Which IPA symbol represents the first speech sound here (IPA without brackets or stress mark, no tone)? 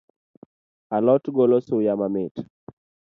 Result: a